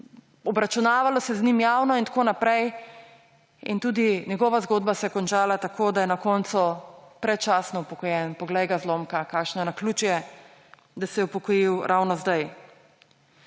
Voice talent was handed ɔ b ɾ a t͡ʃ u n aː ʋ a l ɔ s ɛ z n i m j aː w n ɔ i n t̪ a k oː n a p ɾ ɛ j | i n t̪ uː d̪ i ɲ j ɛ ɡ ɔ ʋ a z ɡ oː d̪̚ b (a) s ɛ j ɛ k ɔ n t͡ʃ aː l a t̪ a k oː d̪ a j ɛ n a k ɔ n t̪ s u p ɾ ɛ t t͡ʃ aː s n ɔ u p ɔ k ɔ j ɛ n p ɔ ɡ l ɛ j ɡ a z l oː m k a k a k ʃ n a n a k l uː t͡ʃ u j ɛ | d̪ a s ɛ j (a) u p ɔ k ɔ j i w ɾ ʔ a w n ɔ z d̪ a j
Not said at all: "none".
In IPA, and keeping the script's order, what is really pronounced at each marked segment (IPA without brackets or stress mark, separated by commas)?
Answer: a, ɛ